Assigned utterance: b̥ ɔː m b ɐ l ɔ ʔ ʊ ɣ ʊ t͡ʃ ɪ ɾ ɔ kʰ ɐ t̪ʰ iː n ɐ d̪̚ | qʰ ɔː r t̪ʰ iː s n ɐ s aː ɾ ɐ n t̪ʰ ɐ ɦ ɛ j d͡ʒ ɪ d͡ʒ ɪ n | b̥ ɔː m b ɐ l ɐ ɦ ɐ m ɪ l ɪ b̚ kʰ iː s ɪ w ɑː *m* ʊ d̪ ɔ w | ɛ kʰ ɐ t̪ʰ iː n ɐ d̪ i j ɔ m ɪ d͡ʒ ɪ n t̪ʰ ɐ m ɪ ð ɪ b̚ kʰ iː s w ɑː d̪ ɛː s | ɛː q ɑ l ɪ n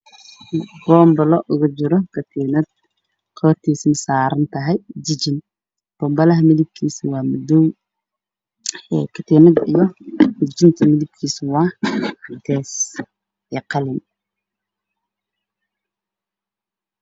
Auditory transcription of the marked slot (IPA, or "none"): m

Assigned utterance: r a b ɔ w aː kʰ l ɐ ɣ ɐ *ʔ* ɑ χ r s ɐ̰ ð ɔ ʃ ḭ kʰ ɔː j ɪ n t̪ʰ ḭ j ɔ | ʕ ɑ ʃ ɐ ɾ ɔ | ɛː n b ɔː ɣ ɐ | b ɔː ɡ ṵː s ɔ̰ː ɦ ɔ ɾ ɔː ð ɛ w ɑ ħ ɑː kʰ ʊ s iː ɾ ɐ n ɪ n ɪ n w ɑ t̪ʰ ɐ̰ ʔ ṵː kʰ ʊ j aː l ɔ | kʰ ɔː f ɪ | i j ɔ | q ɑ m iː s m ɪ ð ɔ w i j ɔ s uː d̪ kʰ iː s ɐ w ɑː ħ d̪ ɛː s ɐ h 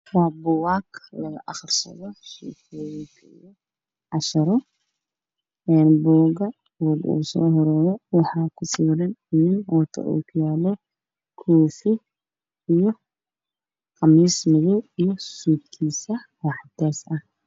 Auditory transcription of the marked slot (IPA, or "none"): ʔ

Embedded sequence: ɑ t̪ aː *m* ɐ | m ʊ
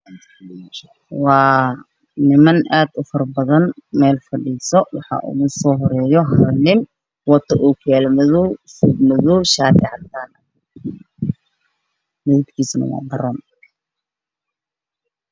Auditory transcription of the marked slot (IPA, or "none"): n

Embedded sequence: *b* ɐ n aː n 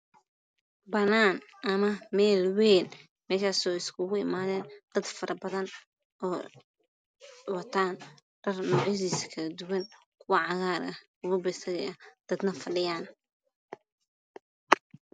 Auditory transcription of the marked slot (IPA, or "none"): b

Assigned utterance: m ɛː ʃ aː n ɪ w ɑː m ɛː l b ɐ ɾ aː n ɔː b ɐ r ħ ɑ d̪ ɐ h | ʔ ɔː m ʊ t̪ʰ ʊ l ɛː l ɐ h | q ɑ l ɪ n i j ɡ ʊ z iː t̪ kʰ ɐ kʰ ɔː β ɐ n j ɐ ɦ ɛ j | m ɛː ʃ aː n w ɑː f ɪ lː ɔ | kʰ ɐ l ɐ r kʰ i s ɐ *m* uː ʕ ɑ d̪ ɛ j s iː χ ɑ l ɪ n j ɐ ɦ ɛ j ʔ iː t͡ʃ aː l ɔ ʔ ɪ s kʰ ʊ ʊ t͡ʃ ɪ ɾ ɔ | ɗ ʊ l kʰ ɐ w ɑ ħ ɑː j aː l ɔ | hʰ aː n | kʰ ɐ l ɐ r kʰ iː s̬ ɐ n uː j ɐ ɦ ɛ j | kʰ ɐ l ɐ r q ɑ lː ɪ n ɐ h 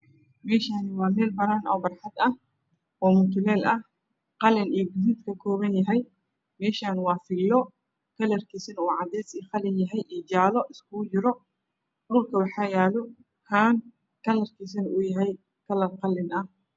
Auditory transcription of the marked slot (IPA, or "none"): n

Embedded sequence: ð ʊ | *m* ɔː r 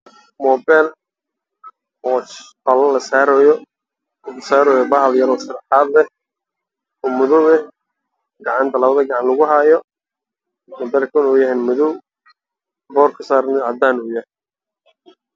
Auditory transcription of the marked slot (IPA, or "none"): b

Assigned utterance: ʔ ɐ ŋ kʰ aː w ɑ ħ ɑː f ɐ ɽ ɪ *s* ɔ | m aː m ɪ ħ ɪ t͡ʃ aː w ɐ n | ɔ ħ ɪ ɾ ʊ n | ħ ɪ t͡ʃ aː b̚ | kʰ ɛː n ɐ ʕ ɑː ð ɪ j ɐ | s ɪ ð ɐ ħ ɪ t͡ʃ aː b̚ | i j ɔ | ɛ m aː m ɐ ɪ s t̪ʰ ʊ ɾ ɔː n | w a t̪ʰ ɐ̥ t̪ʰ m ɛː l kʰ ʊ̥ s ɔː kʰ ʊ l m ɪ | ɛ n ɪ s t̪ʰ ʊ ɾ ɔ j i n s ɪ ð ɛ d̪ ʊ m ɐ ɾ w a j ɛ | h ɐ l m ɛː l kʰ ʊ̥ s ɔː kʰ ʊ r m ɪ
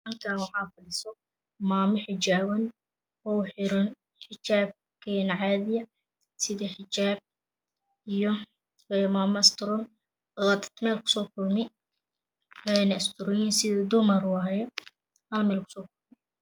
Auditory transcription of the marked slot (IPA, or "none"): s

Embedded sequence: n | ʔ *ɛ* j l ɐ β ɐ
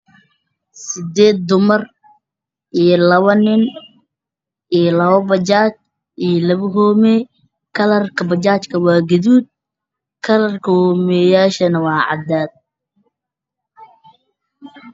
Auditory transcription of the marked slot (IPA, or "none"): i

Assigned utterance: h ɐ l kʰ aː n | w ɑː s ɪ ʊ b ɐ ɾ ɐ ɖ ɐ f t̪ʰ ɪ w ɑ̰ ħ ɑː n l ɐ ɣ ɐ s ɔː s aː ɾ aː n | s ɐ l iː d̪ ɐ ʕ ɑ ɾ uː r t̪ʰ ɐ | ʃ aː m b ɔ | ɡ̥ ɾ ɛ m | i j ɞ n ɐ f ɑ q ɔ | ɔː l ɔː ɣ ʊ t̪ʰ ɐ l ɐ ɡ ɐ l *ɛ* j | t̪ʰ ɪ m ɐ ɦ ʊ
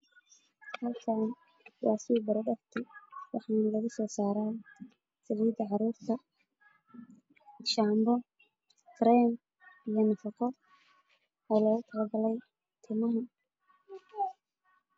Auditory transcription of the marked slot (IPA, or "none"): ɛ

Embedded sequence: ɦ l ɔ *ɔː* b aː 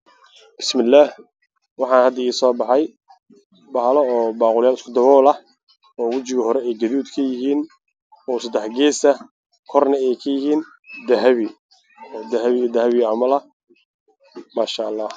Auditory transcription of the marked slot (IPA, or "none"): ɔː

